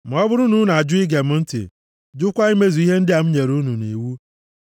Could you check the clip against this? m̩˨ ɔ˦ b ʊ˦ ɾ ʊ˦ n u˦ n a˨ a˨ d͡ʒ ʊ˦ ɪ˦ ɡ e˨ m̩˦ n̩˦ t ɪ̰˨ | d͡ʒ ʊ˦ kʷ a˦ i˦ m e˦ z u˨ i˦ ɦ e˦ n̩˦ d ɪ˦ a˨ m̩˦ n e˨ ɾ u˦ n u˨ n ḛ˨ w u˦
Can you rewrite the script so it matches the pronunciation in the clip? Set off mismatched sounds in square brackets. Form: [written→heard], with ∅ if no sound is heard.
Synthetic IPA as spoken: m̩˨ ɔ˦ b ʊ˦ ɾ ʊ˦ n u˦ n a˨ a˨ d͡ʒ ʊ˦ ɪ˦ ɡ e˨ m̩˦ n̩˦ t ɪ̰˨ | d͡ʒ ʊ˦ kʷ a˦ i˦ m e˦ z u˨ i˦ ɦ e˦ n̩˦ d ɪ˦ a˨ m̩˦ [n→ɲ] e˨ ɾ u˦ n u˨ n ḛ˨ w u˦

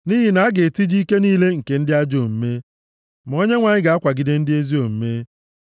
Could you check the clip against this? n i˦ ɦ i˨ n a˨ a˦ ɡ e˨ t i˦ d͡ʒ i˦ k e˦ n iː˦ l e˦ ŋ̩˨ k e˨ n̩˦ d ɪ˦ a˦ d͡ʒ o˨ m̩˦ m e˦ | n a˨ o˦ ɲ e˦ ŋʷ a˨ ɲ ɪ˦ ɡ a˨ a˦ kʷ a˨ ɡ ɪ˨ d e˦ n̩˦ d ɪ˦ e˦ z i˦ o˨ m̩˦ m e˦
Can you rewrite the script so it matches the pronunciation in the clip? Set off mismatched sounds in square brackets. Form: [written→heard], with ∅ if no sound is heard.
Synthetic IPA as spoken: n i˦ ɦ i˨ n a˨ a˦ ɡ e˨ t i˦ d͡ʒ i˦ k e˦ n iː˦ l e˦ ŋ̩˨ k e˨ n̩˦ d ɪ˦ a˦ d͡ʒ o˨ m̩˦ m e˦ | [n→m] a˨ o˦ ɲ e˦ ŋʷ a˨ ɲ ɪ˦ ɡ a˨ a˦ kʷ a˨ ɡ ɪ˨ d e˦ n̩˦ d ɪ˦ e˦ z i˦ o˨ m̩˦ m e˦

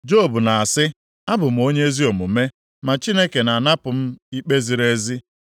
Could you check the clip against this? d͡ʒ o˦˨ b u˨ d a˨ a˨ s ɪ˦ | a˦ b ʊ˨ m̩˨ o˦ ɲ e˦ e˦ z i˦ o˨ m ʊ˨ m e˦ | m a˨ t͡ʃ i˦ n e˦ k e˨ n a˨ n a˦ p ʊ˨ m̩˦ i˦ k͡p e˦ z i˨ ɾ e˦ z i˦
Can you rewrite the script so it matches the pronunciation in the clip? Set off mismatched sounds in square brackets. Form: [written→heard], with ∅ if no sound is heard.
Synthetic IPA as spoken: d͡ʒ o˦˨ b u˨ [d→n] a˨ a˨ s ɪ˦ | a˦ b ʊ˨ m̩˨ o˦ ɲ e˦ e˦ z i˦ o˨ m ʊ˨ m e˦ | m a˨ t͡ʃ i˦ n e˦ k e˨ n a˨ n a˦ p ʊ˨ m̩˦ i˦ k͡p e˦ z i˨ ɾ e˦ z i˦

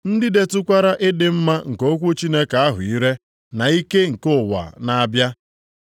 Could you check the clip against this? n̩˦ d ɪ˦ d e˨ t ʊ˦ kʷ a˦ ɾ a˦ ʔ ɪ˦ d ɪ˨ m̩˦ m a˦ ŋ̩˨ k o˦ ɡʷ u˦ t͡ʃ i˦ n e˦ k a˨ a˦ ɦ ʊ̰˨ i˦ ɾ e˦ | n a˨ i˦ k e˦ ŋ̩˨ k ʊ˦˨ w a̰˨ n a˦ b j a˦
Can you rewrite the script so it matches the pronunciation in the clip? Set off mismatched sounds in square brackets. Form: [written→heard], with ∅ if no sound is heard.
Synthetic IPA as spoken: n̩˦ d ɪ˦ d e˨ t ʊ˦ kʷ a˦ ɾ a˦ ʔ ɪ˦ d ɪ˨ m̩˦ m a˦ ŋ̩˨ k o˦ [ɡʷ→kʷ] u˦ t͡ʃ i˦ n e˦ k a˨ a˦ ɦ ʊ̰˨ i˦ ɾ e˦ | n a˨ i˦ k e˦ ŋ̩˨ k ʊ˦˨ w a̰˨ n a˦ b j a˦

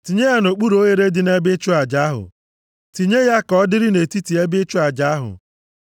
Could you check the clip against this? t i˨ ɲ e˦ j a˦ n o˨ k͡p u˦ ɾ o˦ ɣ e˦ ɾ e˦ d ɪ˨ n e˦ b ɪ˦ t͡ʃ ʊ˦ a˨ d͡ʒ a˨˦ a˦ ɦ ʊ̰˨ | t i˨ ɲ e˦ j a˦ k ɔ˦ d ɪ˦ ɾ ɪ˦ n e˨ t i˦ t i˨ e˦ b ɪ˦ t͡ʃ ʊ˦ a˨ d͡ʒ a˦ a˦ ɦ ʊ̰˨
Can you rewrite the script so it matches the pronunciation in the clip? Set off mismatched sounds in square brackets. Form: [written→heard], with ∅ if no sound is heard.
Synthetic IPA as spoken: t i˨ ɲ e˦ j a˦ n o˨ k͡p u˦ ɾ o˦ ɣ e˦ ɾ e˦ d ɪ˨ n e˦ b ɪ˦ t͡ʃ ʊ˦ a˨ d͡ʒ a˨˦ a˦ ɦ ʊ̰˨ | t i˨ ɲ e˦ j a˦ k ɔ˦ d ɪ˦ ɾ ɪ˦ n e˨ t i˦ t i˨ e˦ b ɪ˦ t͡ʃ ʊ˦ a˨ d͡ʒ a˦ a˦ ɦ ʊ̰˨

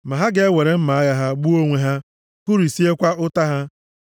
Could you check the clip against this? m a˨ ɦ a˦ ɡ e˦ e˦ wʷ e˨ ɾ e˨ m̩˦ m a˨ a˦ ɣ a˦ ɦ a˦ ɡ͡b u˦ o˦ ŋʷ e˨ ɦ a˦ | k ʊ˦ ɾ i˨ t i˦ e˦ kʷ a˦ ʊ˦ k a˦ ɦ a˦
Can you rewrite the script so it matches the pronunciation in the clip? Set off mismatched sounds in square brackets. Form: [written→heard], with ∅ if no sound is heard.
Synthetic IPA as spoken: m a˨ ɦ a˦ ɡ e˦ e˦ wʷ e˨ ɾ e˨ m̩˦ m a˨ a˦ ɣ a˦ ɦ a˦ ɡ͡b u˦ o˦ ŋʷ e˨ ɦ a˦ | k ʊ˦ ɾ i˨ [t→s] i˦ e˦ kʷ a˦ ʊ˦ [k→t] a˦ ɦ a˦

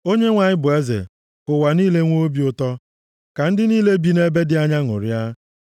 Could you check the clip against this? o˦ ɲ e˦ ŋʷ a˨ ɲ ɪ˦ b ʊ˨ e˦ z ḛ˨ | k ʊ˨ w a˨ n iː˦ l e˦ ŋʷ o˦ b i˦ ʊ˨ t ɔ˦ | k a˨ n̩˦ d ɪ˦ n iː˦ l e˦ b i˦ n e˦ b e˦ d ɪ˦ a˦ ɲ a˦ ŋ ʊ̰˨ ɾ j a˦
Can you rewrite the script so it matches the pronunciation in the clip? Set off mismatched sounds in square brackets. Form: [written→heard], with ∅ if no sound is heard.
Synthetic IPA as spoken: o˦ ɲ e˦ ŋʷ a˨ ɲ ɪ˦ b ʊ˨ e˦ z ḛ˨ | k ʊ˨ w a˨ n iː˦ l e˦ ŋʷ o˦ b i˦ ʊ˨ t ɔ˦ | k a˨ n̩˦ d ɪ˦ n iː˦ l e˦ b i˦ n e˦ b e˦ d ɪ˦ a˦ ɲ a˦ ŋ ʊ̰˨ ɾ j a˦

